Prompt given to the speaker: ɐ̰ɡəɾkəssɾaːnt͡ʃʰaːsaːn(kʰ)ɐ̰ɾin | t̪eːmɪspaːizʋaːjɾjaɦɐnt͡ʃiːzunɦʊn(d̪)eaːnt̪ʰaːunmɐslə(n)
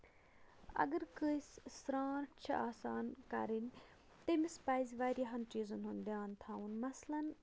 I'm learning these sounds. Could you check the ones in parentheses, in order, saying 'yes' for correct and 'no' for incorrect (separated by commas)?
no, yes, yes